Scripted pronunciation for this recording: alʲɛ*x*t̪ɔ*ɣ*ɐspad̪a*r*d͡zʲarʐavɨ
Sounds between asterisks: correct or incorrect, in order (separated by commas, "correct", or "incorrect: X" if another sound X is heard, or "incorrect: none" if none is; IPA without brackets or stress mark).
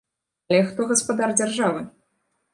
correct, correct, correct